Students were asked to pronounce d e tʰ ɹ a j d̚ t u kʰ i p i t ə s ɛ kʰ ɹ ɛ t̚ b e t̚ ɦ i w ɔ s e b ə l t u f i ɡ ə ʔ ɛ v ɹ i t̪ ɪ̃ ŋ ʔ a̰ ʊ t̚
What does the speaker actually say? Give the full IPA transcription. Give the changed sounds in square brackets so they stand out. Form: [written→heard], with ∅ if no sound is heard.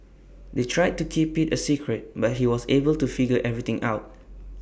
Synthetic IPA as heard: d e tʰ ɹ a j d̚ t u kʰ i p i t ə s [ɛ→i] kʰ ɹ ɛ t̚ b [e→a] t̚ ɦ i w ɔ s e b ə l t u f i ɡ ə ʔ ɛ v ɹ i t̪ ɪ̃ ŋ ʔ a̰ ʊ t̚